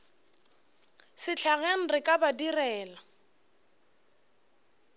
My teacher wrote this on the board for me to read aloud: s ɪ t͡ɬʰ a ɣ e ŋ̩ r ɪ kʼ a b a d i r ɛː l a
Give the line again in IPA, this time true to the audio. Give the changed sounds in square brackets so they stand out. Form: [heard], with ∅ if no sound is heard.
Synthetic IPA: s ɪ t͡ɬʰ a ɣ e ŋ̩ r ɪ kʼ a b a d i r ɛː l a